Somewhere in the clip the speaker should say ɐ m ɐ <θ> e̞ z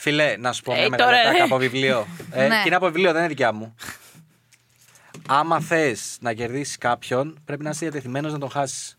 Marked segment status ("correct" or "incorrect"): correct